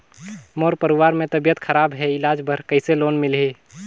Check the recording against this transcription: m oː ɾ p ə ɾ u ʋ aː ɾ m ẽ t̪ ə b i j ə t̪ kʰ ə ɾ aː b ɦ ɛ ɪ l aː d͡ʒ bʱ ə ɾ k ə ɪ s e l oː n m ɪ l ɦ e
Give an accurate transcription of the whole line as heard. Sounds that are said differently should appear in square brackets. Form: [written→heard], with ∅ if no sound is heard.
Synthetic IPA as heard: m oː ɾ p ə ɾ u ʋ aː ɾ m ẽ t̪ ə b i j ə t̪ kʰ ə ɾ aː b ɦ ɛ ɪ l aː d͡ʒ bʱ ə ɾ k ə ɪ s e l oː n m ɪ l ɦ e